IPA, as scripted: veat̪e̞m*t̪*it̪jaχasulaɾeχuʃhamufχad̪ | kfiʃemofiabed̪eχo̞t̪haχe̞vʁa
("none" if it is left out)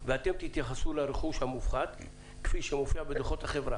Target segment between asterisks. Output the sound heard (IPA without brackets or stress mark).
t̪